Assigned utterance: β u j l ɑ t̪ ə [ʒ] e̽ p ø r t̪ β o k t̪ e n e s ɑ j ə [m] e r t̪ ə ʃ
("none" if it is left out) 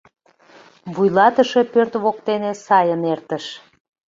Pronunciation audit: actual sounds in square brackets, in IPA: ʃ, n

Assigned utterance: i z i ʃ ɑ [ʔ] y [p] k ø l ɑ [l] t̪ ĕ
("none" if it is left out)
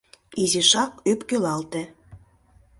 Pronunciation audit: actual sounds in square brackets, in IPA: k, p, l

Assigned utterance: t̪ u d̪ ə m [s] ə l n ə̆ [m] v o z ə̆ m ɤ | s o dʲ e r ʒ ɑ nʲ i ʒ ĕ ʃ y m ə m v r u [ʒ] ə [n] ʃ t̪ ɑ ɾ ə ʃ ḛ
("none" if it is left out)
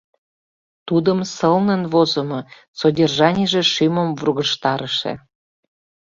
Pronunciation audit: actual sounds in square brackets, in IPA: s, n, ɣ, none

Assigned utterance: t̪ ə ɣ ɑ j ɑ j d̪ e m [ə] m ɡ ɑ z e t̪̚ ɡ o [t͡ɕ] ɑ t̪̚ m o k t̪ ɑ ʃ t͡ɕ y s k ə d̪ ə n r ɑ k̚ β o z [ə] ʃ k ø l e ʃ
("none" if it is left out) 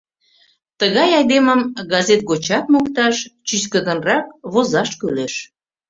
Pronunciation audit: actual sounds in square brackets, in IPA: ə, t͡ɕ, ɑ

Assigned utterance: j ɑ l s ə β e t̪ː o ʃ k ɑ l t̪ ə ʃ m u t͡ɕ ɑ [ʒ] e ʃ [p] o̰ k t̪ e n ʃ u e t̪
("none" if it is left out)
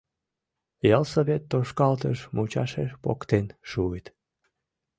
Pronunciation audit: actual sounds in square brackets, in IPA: ʃ, p

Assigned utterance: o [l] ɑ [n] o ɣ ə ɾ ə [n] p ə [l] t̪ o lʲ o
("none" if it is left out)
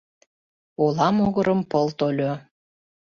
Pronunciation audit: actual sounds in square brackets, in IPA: l, m, m, l

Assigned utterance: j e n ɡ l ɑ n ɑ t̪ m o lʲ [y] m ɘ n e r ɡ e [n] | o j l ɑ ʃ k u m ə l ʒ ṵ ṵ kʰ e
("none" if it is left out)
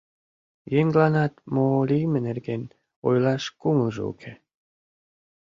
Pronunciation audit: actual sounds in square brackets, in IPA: i, n

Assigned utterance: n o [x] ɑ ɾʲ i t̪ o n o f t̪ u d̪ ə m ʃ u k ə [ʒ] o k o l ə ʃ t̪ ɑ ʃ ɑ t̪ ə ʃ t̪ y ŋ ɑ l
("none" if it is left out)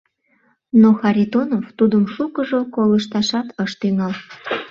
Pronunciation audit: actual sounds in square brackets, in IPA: x, ʒ

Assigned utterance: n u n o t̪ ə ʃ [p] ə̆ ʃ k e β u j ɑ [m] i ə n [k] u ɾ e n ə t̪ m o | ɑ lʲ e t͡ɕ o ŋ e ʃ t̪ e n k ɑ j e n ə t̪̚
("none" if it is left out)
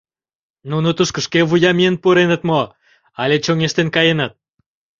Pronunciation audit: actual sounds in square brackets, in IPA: k, m, p

